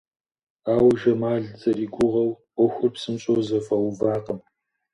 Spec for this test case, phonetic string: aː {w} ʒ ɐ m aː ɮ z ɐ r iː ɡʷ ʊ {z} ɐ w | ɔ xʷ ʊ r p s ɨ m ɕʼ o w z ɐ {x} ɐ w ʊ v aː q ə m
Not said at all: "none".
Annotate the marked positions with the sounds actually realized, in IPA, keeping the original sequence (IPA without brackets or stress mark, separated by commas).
w, ʁ, f